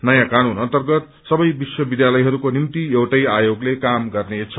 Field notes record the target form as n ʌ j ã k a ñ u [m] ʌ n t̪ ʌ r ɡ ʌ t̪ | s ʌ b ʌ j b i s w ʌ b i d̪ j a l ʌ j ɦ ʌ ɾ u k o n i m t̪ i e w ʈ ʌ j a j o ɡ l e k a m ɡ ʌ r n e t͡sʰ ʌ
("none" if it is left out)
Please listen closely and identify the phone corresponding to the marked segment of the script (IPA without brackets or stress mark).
n